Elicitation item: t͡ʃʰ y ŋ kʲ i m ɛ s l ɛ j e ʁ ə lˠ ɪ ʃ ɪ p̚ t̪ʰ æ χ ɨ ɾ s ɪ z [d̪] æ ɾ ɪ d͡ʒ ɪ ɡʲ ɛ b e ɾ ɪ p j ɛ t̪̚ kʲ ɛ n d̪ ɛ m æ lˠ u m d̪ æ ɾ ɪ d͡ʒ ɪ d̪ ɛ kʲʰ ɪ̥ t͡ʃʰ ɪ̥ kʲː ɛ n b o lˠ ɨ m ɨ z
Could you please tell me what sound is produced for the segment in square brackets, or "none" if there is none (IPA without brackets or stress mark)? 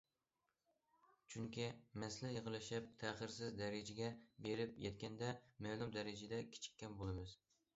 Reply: d̪